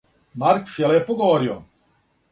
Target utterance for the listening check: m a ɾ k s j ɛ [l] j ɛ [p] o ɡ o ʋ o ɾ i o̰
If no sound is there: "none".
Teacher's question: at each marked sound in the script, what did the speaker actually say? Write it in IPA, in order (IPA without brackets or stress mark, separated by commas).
l, p